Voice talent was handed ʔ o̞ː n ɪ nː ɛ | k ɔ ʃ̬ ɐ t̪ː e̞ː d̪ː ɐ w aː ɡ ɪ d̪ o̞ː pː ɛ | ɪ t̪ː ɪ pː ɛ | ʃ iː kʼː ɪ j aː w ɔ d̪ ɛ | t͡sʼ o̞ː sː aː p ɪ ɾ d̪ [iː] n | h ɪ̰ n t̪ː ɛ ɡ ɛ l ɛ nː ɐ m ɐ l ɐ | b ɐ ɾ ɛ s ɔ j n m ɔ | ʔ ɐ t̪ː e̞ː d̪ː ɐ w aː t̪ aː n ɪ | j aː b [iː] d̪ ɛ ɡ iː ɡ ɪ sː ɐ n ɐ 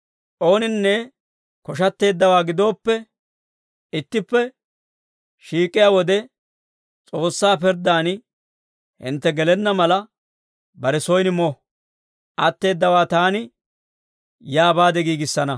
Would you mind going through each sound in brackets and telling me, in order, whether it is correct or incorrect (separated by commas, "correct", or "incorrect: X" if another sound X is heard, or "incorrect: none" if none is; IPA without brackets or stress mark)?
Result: incorrect: aː, incorrect: aː